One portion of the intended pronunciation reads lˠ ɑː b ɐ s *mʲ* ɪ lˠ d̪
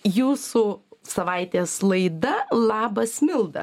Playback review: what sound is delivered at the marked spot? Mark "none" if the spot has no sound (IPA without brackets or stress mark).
mʲ